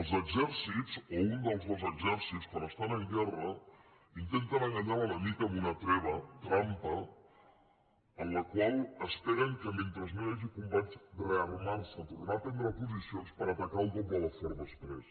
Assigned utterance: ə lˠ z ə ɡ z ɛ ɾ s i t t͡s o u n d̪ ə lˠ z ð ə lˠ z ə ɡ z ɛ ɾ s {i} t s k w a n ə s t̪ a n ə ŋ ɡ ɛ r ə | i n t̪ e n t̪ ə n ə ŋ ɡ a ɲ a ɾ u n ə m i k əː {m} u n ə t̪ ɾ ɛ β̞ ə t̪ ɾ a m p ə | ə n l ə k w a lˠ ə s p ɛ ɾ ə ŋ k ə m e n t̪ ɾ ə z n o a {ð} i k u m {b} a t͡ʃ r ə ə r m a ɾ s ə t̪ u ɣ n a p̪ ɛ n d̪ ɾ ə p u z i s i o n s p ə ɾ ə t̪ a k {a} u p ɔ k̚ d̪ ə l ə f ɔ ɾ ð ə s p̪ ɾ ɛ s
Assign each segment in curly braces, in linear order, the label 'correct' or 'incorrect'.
correct, correct, incorrect: ʒ, correct, correct

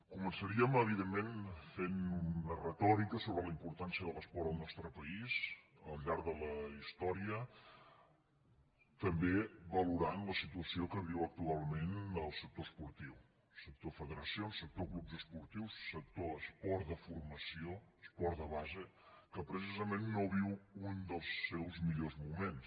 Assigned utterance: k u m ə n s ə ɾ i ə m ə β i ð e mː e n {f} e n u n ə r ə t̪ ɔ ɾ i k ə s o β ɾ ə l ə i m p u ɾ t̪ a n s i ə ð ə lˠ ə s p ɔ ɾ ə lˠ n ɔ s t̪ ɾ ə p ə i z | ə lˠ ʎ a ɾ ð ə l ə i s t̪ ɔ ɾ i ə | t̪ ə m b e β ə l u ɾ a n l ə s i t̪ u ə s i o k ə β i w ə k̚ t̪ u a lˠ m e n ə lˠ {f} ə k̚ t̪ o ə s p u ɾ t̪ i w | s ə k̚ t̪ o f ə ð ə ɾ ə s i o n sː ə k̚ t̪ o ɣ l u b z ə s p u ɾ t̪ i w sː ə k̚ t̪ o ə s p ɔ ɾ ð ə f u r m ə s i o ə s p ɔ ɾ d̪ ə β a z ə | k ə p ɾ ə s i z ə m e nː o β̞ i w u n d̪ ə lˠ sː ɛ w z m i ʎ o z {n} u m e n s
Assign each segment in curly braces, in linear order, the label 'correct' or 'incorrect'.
correct, incorrect: s, incorrect: m

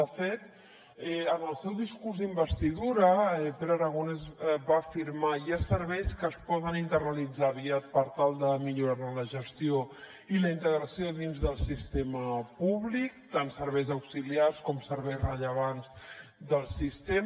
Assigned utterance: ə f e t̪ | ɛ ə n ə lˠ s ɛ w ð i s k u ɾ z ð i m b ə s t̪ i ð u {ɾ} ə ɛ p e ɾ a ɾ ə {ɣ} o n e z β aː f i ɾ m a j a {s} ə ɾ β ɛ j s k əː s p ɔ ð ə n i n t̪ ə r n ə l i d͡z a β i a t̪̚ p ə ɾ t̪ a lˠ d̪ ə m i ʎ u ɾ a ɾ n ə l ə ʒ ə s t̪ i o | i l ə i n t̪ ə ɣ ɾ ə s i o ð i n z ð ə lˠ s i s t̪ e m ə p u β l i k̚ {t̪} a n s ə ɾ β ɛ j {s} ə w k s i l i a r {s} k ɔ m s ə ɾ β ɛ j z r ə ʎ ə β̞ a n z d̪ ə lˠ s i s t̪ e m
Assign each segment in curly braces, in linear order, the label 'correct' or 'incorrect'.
correct, correct, correct, correct, incorrect: z, correct

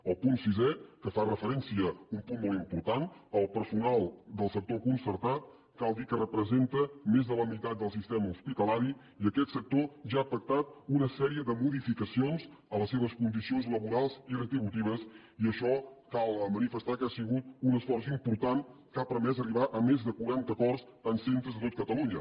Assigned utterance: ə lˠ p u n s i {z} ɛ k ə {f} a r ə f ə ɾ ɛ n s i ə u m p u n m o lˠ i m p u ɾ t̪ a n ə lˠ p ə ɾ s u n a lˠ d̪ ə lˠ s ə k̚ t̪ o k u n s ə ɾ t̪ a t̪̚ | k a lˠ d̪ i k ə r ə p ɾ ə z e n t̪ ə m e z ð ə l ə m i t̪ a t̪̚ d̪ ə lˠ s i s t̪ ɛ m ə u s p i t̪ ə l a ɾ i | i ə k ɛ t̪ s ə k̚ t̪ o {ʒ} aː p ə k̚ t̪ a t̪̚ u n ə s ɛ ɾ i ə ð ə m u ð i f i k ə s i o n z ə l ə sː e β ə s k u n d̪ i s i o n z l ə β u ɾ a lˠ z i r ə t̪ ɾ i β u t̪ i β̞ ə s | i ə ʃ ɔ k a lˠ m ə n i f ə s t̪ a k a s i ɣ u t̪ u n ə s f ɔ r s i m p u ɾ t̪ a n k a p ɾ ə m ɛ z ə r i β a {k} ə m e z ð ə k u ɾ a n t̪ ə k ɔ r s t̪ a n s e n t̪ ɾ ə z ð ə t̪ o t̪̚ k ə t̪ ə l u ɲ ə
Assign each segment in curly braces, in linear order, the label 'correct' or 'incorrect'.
correct, correct, correct, incorrect: ʔ

